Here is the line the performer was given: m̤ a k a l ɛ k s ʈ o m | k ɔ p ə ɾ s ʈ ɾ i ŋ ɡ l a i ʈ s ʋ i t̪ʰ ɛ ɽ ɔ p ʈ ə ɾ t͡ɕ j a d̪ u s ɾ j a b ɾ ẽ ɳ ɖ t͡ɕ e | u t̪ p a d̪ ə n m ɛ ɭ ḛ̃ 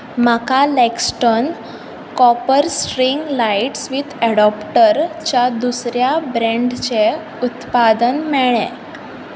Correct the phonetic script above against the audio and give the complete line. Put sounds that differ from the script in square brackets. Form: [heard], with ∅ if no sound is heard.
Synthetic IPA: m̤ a k a l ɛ k s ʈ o [n] | k ɔ p ə ɾ s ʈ ɾ i ŋ ɡ l a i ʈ s ʋ i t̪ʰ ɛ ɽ ɔ p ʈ ə ɾ t͡ɕ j a d̪ u s ɾ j a b ɾ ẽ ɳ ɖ t͡ɕ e | u t̪ p a d̪ ə n m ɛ ɭ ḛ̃

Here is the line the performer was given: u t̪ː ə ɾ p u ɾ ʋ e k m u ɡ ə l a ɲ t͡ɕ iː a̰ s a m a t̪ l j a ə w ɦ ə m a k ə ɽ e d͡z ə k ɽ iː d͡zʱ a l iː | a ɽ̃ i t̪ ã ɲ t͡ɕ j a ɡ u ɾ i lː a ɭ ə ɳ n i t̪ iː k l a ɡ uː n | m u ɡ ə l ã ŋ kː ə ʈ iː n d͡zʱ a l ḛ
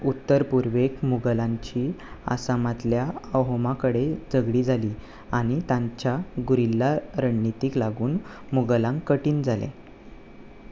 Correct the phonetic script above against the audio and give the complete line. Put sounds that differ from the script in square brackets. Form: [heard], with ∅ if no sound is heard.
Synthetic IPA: u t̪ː ə ɾ p u ɾ ʋ e k m u ɡ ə l a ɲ t͡ɕ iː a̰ s a m a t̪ l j a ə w ɦ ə m a k ə ɽ e d͡z ə [ɡ] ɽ iː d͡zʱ a l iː | a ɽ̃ i t̪ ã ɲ t͡ɕ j a ɡ u ɾ i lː a [ɾ] ə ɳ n i t̪ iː k l a ɡ uː n | m u ɡ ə l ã ŋ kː ə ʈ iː n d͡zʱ a l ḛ

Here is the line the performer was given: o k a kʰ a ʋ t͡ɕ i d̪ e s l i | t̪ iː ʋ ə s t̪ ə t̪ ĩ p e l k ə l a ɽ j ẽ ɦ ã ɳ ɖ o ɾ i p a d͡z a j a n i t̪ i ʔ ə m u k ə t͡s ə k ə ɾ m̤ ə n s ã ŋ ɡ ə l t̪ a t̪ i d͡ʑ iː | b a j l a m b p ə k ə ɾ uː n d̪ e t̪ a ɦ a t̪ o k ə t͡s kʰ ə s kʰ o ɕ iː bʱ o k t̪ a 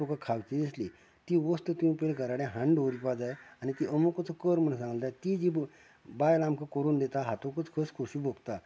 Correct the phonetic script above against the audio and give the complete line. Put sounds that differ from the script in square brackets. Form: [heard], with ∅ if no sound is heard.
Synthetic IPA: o k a kʰ a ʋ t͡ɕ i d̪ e s l i | t̪ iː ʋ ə s t̪ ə t̪ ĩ p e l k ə [ɾ] a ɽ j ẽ ɦ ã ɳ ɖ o ɾ i p a d͡z a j a n i t̪ i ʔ ə m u k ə t͡s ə k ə ɾ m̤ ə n s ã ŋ ɡ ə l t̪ a t̪ i d͡ʑ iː | b a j l a m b [k] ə k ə ɾ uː n d̪ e t̪ a ɦ a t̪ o k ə t͡s kʰ ə s kʰ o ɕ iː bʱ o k t̪ a

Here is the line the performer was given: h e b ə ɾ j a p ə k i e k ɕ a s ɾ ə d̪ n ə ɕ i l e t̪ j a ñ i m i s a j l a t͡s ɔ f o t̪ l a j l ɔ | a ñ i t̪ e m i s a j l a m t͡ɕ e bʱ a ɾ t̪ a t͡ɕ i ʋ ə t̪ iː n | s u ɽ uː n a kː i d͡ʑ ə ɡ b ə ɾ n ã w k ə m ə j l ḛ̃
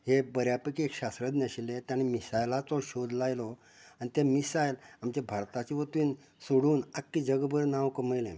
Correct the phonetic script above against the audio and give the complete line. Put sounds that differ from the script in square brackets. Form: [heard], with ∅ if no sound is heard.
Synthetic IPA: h e b ə ɾ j a p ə k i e k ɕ a s ɾ ə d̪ n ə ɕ i l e t̪ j a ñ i m i s a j l a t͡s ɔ [ɕ] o [d̪] l a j l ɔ | a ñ i t̪ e m i s a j l a m t͡ɕ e bʱ a ɾ t̪ a t͡ɕ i ʋ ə t̪ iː n | s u ɽ uː n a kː i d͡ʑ ə ɡ b ə ɾ n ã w k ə m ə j l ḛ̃

